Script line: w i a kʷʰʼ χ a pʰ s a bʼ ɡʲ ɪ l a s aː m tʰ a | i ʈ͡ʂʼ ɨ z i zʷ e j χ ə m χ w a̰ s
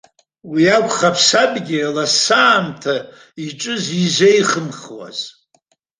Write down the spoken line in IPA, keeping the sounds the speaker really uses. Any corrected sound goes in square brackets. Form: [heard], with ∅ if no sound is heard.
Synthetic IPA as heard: w i a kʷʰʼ χ a pʰ s a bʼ ɡʲ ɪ l a s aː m tʰ a | i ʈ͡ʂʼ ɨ z i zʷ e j χ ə m χ w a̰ [z]